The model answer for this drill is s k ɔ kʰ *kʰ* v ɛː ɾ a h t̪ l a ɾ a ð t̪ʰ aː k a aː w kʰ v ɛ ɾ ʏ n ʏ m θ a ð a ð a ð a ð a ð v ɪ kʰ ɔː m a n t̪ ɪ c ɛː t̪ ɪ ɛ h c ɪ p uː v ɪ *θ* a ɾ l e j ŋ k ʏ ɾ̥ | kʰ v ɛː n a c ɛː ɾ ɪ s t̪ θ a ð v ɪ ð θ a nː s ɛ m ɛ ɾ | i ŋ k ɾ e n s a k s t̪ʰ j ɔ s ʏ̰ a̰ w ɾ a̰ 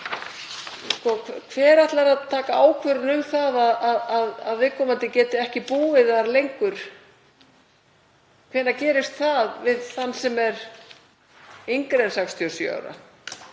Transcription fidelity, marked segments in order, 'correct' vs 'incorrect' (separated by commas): correct, incorrect